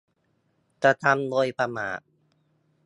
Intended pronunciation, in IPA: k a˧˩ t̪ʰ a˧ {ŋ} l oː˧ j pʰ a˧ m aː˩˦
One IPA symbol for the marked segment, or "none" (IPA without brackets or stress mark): m